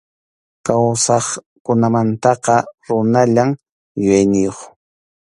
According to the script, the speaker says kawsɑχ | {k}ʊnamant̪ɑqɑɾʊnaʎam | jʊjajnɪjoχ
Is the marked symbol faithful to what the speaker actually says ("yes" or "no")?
yes